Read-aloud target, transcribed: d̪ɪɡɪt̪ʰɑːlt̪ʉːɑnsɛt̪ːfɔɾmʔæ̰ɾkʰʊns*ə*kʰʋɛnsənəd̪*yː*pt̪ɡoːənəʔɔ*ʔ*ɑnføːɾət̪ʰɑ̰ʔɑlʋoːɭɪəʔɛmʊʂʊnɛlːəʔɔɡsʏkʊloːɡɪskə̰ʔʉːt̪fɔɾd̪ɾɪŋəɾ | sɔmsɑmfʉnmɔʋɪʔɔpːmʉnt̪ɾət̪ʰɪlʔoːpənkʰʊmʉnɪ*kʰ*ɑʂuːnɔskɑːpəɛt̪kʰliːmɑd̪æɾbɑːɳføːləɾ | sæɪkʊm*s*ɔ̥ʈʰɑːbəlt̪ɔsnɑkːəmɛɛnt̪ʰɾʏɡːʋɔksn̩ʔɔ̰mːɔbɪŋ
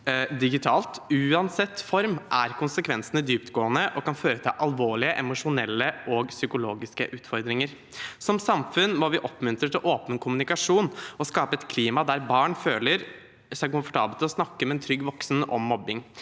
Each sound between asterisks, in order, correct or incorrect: correct, correct, incorrect: k, incorrect: k, incorrect: f

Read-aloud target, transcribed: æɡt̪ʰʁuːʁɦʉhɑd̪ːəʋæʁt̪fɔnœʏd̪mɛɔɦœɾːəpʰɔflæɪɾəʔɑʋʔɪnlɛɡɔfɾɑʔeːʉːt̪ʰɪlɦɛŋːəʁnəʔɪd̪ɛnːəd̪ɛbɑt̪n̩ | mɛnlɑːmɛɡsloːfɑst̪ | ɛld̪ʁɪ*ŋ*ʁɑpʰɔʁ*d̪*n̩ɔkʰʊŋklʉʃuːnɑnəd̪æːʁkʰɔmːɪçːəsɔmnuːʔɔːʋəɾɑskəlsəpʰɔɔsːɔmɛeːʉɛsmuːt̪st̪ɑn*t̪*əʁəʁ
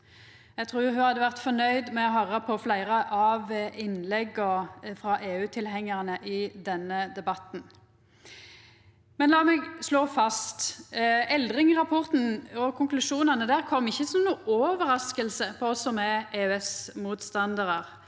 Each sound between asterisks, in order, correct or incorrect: correct, incorrect: t̪, incorrect: d̪

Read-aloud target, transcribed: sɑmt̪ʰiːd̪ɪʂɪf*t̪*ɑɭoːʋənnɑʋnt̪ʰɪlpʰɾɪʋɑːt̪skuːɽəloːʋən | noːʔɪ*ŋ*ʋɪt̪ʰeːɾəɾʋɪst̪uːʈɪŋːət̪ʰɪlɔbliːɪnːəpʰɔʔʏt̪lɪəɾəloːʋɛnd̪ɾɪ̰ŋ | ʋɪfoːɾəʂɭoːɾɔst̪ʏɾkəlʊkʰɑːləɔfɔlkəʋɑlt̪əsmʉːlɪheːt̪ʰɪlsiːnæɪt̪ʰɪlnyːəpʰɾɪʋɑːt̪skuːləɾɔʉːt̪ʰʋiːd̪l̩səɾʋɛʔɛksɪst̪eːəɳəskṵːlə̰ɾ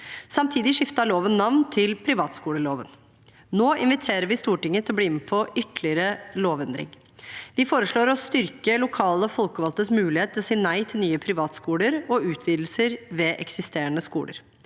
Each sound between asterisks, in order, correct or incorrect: correct, incorrect: n

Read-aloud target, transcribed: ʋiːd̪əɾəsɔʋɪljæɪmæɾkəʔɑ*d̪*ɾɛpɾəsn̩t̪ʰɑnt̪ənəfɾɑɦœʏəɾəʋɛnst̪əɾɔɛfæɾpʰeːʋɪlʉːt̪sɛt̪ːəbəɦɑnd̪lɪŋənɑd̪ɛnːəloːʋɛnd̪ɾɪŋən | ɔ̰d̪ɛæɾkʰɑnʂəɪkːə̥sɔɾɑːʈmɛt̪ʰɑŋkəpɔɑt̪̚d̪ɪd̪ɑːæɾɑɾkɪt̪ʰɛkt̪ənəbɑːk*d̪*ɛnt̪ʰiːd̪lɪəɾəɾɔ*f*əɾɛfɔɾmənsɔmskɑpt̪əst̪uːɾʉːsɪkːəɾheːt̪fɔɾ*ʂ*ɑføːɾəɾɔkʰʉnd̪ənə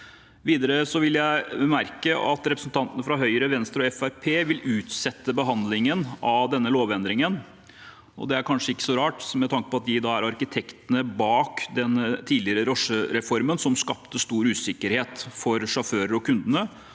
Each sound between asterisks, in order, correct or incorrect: incorrect: t̪, correct, incorrect: ʂ, correct

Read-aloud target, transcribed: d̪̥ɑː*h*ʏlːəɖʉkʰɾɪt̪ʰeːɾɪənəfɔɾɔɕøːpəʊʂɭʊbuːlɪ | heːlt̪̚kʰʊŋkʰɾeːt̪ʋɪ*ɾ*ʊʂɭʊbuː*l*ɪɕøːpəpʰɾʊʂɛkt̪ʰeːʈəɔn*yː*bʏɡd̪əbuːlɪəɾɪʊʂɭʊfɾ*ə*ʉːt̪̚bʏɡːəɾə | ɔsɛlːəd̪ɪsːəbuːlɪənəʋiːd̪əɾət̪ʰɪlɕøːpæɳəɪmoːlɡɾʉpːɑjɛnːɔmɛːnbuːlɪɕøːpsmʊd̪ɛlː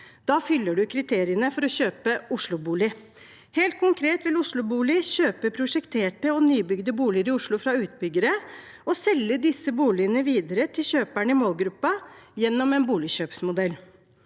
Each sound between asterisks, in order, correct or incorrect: incorrect: f, incorrect: l, correct, correct, incorrect: ɑ

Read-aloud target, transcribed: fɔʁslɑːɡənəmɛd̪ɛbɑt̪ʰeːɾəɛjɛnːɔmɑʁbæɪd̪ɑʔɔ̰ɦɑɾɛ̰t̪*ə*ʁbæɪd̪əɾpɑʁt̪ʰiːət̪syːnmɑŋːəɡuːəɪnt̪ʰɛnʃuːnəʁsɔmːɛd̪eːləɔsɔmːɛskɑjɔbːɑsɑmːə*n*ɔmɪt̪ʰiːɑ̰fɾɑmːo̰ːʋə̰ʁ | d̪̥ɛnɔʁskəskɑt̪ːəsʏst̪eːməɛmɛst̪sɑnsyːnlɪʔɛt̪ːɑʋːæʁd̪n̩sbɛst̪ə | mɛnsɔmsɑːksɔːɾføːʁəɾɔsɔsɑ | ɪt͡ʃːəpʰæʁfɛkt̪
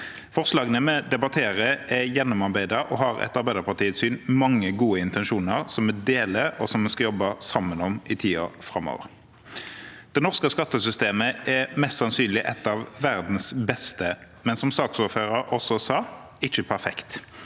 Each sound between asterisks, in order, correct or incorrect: incorrect: ɑ, correct

